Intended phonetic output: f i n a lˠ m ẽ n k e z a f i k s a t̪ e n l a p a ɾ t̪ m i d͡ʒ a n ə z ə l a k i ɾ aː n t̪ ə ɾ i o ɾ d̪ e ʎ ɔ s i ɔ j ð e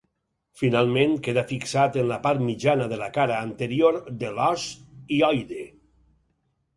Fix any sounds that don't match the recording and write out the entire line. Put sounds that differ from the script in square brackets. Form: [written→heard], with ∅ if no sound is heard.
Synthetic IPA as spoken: f i n a lˠ m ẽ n k e [z→ð] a f i k s a t̪ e n l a p a ɾ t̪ m i d͡ʒ a n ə [z→ð] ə l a k [i→a] ɾ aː n t̪ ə ɾ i o ɾ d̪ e [ʎ→l] ɔ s i ɔ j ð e